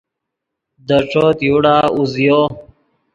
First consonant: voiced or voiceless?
voiced